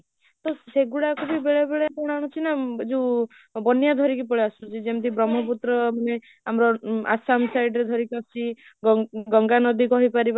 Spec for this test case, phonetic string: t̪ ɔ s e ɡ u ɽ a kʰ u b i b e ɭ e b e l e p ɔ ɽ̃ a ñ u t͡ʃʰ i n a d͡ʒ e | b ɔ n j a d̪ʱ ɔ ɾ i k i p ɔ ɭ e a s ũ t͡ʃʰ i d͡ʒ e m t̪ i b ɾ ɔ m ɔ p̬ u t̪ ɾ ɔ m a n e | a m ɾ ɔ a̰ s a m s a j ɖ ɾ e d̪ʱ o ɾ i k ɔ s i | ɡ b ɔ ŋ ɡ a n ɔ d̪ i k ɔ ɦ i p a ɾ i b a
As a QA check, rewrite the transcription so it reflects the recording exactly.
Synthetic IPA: t̪ ɔ s e ɡ u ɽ a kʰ u b i b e ɭ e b e ɭ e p ɔ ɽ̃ a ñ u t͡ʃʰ i n a d͡ʒ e | b ɔ n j a d̪ʱ ɔ ɾ i k i p ɔ ɭ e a s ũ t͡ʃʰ i d͡ʒ e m t̪ i b ɾ ɔ m ɔ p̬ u t̪ ɾ ɔ m a n e | a m ɾ ɔ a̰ s a m s a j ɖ ɾ e d̪ʱ ɔ ɾ i k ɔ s i | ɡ ɡ ɔ ŋ ɡ a n ɔ d̪ i k ɔ ɦ i p a ɾ i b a